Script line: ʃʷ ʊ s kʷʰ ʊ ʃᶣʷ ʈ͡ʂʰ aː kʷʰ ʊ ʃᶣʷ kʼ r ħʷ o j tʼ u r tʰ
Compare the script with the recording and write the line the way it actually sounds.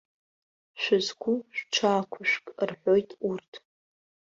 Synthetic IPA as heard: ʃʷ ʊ z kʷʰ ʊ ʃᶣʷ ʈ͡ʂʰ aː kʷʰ ʊ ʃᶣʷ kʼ r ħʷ o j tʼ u r tʰ